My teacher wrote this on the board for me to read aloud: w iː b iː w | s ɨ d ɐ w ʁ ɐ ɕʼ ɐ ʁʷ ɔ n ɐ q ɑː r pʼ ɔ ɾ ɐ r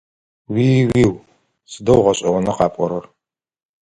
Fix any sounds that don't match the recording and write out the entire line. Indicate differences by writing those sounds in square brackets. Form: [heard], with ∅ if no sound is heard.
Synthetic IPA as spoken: w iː [w] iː w | s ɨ d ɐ w ʁ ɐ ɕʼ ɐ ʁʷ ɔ n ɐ q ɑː [∅] pʼ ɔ ɾ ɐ r